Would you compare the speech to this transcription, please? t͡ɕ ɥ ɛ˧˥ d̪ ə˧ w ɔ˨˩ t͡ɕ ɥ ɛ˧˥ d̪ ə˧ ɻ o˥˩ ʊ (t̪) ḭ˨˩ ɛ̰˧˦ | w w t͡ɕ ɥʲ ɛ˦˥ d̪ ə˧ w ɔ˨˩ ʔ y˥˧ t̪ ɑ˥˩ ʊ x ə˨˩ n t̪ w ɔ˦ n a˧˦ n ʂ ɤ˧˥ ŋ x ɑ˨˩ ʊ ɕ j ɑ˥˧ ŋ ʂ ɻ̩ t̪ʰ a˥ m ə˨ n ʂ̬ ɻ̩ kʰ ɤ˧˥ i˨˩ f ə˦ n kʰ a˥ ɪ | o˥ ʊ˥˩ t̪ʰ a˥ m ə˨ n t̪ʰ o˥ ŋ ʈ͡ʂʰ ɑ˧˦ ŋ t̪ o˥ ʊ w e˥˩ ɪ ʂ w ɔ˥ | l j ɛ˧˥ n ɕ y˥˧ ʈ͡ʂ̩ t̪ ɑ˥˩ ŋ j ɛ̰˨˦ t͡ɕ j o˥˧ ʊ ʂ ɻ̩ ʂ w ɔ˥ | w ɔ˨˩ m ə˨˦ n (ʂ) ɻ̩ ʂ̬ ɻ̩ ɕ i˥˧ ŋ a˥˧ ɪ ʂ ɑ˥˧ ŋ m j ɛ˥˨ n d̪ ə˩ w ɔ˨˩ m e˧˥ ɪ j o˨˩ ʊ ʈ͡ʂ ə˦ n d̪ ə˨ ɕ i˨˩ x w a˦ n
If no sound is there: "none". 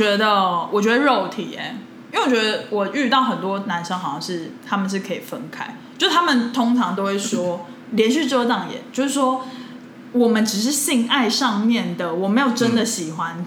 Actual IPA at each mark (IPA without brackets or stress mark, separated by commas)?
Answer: t̪ʰ, ʈ͡ʂ